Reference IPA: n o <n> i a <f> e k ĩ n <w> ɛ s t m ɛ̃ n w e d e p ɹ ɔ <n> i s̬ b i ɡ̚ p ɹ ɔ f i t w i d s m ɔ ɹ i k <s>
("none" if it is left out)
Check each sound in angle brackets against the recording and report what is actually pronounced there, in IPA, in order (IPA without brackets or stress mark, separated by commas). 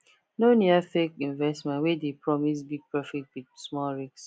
n, f, v, m, s